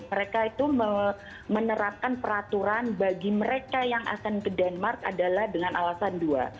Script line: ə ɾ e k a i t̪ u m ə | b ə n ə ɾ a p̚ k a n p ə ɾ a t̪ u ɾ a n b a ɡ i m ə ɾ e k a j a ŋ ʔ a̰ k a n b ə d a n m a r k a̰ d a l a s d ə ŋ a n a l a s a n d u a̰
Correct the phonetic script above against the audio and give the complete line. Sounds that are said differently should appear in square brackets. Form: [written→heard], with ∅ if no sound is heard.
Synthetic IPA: ə ɾ e k a i t̪ u m ə | [b→m] ə n ə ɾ a p̚ k a n p ə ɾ a t̪ u ɾ a n b a ɡ i m ə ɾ e k a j a ŋ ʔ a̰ k a n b ə d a n m a r k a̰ d a l a [s→h] d ə ŋ a n a l a s a n d u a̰